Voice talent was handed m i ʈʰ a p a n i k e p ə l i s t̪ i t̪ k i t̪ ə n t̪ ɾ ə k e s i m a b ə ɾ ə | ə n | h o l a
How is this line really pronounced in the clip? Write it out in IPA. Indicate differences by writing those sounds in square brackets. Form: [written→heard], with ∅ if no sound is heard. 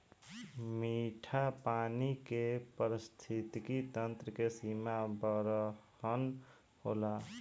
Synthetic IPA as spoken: m i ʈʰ a p a n i k e p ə [l→ɾ] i s [t̪→t̪ʰ] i t̪ k i t̪ ə n t̪ ɾ ə k e s i m a b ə ɾ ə | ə n | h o l a